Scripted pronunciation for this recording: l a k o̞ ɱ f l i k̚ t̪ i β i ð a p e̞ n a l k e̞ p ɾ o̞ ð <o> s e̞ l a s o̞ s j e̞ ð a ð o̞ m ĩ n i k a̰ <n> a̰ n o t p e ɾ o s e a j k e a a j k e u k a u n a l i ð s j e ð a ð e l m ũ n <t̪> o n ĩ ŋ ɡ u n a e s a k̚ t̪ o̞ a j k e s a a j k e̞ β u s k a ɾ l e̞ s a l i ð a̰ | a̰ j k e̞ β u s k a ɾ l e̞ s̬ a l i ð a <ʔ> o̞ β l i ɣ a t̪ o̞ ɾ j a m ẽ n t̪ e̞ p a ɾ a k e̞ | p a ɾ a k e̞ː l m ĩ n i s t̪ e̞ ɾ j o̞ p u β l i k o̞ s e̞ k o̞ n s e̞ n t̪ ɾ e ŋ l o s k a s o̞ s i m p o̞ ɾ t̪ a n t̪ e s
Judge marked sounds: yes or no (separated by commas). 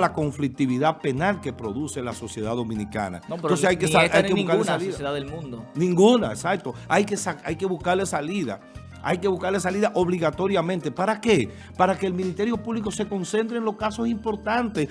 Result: no, yes, no, yes